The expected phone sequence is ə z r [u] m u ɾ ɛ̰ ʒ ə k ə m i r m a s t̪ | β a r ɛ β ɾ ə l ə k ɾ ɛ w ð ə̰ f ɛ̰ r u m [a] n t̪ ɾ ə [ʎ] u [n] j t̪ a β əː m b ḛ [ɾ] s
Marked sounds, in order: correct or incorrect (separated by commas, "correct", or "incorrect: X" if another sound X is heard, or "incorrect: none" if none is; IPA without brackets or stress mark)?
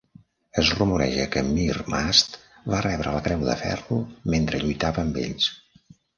correct, incorrect: e, correct, incorrect: none, incorrect: ʎ